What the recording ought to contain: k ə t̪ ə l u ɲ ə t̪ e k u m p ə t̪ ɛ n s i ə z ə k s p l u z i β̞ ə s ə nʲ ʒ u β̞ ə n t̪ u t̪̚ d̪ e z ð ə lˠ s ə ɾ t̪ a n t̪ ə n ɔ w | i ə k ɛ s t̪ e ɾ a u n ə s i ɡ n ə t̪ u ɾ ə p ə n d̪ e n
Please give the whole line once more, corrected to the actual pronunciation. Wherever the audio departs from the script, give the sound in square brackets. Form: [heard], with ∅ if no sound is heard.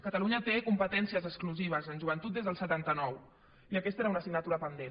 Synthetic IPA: k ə t̪ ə l u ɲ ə t̪ e k u m p ə t̪ ɛ n s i ə z ə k s [k] l u z i β̞ ə [z] ə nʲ ʒ u β̞ ə n t̪ u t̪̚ d̪ e z ð ə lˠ s ə [∅] t̪ a n t̪ ə n ɔ w | i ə k ɛ s t̪ e ɾ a u n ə s i ɡ n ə t̪ u ɾ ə p ə n d̪ e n